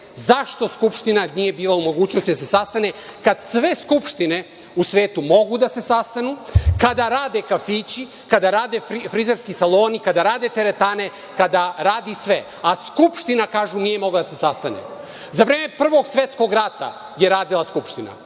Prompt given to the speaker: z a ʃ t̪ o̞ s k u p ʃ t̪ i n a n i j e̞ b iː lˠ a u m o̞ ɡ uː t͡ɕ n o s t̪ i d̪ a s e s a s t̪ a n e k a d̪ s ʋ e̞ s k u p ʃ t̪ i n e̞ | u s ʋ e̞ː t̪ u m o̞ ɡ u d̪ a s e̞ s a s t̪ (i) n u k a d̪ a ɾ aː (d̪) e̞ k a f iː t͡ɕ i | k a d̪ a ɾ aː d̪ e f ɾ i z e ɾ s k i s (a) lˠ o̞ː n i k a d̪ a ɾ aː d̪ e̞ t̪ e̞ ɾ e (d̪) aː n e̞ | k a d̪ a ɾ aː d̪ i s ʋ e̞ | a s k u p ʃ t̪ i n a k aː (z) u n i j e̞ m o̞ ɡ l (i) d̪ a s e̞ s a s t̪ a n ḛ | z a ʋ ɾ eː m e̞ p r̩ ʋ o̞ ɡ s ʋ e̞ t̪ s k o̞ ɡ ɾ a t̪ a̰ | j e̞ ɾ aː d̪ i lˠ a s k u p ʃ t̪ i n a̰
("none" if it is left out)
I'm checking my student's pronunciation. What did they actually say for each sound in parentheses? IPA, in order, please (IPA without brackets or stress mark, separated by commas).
a, d̪, a, t̪, ʒ, a